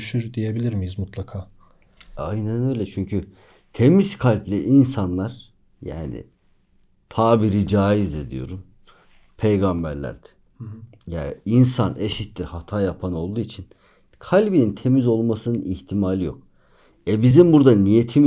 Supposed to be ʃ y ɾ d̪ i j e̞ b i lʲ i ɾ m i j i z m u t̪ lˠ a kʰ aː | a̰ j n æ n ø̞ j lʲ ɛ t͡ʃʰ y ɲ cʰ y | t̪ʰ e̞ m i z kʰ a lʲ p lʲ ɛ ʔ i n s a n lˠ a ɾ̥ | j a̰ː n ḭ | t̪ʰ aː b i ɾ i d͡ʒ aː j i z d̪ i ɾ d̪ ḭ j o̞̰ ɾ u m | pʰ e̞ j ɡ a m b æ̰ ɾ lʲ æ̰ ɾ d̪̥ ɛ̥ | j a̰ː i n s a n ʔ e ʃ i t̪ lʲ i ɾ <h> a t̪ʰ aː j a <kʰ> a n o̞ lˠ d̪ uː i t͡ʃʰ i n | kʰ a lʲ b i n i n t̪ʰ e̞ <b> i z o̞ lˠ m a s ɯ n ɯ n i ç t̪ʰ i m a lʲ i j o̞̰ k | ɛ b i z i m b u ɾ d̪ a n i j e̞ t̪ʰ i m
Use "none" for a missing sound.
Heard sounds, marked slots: h, pʰ, m

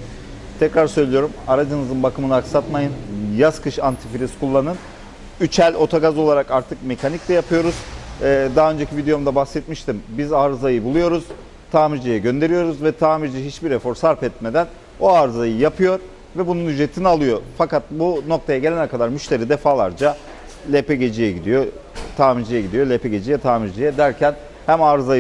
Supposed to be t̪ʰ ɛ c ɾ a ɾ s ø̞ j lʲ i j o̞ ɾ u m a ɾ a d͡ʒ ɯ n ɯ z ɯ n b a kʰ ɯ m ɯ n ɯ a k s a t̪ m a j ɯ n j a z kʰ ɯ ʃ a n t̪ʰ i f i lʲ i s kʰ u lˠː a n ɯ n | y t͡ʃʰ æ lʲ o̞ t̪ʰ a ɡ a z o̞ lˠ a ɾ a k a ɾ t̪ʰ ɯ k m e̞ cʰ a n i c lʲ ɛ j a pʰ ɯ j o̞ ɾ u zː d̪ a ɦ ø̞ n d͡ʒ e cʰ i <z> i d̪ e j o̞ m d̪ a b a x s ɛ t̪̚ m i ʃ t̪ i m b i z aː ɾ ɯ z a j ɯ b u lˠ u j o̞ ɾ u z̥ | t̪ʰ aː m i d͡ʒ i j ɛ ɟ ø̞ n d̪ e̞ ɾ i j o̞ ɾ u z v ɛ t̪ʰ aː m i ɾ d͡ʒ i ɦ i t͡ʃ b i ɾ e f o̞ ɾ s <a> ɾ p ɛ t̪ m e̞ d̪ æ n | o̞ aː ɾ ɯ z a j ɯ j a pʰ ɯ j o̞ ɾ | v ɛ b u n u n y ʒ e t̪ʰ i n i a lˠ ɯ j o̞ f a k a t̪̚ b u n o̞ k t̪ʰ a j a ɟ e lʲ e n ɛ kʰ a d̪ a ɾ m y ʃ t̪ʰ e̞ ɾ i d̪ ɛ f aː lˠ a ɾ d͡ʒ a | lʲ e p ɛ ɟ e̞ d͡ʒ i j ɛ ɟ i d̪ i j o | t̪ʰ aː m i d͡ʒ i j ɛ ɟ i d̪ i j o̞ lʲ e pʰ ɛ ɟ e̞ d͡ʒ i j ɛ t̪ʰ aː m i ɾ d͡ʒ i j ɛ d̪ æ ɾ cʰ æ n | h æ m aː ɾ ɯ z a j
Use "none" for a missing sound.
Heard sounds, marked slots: v, a

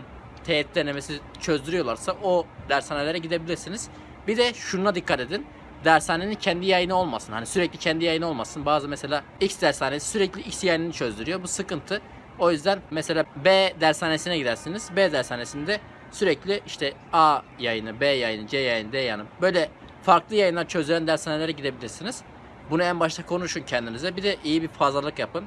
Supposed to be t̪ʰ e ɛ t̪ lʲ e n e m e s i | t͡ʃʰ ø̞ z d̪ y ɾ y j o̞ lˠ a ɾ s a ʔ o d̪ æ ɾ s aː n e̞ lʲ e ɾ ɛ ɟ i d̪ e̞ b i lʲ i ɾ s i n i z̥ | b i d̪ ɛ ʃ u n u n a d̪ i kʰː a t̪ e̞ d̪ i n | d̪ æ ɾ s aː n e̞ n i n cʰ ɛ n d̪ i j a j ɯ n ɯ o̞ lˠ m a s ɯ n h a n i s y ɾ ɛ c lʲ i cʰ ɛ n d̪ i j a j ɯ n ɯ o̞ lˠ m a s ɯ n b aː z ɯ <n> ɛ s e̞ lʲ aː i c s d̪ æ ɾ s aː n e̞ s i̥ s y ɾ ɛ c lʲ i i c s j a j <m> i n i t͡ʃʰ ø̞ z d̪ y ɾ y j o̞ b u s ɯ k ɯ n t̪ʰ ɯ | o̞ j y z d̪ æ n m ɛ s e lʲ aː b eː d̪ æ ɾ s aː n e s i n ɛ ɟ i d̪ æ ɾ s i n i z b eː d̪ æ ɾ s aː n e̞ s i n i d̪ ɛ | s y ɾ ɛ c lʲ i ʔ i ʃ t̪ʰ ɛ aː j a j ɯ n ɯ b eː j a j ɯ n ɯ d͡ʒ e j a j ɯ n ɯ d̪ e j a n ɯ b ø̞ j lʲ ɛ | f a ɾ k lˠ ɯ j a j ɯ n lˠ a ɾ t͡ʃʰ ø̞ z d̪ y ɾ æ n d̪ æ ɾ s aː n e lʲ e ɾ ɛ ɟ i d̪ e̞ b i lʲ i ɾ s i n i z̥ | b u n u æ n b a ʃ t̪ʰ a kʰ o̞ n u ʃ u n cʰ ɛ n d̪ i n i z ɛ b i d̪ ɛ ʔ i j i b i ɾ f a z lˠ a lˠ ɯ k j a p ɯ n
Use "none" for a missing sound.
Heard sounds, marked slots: m, n

